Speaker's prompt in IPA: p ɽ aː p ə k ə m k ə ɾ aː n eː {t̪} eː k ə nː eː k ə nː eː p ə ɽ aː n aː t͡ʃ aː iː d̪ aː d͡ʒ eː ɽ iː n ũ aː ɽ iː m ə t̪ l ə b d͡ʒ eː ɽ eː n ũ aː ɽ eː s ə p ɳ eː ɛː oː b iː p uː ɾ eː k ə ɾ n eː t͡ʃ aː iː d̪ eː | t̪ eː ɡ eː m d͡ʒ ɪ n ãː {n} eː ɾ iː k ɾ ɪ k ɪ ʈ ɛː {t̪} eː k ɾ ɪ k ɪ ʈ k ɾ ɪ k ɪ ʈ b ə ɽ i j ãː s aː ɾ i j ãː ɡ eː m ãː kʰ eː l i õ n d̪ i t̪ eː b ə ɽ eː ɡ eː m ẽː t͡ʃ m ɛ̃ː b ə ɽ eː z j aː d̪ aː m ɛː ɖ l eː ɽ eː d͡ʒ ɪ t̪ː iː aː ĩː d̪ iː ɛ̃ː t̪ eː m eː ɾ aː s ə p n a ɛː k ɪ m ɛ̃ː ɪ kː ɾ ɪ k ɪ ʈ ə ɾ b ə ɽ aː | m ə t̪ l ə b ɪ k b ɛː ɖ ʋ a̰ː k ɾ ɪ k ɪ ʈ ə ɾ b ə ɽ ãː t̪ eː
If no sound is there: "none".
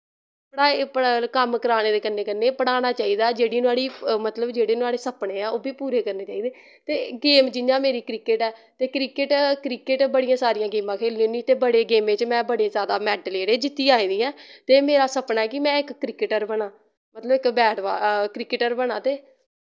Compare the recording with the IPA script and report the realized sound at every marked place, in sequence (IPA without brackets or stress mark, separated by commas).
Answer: d̪, m, t̪